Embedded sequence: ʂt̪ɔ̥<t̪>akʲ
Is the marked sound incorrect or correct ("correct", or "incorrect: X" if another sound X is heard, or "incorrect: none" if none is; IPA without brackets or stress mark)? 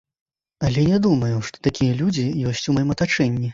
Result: correct